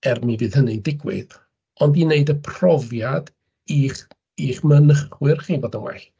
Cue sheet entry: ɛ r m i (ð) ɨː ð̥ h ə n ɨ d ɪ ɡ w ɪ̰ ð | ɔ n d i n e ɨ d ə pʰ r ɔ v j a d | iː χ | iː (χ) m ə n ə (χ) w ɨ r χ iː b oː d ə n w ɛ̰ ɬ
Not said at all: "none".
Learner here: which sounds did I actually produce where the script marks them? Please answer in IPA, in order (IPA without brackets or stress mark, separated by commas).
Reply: v, χ, χ